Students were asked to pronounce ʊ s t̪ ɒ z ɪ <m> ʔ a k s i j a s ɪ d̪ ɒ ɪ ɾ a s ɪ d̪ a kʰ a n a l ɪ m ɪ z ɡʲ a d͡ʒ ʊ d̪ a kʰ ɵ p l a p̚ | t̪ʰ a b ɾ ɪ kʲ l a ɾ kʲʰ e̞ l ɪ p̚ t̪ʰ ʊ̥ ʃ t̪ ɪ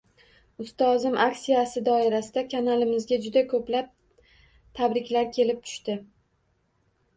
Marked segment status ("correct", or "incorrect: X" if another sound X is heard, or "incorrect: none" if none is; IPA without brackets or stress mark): correct